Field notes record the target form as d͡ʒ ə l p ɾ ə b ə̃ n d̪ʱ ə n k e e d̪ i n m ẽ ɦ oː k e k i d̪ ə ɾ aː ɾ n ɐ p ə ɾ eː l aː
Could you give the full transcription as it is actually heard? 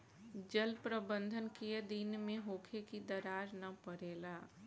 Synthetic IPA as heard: d͡ʒ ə l p ɾ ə b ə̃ n d̪ʱ ə n k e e d̪ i n m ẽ ɦ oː kʰ e k i d̪ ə ɾ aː ɾ n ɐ p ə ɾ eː l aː